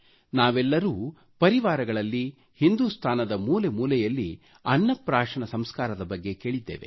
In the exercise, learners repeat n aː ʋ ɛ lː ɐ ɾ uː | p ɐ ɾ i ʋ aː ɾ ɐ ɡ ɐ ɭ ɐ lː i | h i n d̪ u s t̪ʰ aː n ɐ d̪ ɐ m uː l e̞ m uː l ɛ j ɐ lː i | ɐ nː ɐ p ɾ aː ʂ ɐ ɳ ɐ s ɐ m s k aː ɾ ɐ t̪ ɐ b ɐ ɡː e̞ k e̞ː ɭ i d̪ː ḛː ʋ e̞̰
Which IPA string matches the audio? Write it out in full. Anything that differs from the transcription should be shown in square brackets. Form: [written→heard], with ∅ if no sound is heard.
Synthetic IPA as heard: n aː ʋ ɛ lː ɐ ɾ uː | p ɐ ɾ i ʋ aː ɾ ɐ ɡ ɐ ɭ ɐ lː i | h i n d̪ u s t̪ʰ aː n ɐ d̪ ɐ m uː l e̞ m uː l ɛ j ɐ lː i | ɐ nː ɐ p ɾ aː ʂ ɐ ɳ ɐ s ɐ m s k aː ɾ ɐ [t̪→d̪] ɐ b ɐ ɡː e̞ k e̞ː ɭ i d̪ː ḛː ʋ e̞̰